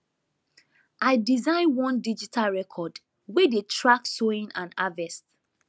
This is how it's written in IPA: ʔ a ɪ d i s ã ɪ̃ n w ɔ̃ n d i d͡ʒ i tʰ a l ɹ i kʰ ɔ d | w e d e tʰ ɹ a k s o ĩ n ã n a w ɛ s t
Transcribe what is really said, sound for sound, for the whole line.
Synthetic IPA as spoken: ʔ a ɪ d i z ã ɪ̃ n w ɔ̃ n d i d͡ʒ i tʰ a l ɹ ɛ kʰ ɔ d | w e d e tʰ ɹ a k s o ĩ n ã n a v ɛ s t